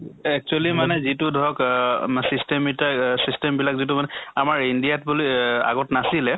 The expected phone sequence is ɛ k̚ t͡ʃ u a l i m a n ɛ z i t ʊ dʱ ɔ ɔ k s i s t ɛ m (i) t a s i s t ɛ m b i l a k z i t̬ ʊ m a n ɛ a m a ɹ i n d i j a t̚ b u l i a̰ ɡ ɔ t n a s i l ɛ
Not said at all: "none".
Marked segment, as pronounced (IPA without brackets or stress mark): i